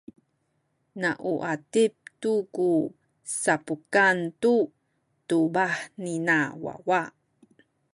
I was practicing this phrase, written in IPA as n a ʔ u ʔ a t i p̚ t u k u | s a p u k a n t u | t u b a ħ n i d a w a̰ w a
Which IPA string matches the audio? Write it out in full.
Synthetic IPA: n a ʔ u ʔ a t i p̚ t u k u | s a p u k a n t u | t u b a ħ n i n a w a̰ w a